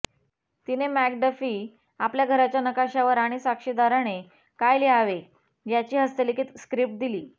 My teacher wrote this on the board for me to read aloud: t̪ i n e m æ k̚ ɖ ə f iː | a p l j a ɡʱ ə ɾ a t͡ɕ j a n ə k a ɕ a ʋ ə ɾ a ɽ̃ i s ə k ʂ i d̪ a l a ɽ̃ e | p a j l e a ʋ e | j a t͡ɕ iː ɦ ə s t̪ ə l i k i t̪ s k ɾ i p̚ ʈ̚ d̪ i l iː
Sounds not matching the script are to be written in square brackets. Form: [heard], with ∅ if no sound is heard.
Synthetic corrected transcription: t̪ i n e m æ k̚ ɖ ə f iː | a p l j a ɡʱ ə ɾ a t͡ɕ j a n ə k a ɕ a ʋ ə ɾ a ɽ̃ i s [a] k ʂ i d̪ a [ɾ] a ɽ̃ e | [k] a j l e a ʋ e | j a t͡ɕ iː ɦ ə s t̪ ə l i k i t̪ s k ɾ i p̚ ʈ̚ d̪ i l iː